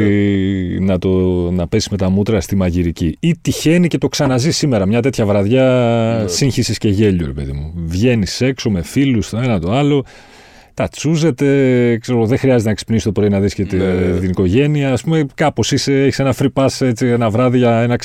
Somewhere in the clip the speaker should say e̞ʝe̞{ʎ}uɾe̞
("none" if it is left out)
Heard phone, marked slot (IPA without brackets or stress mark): ʎ